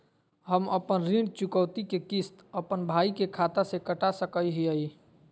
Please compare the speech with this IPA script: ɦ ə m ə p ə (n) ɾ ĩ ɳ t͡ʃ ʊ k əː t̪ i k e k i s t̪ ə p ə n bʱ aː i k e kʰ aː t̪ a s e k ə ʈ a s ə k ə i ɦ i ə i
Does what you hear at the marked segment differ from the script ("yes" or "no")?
no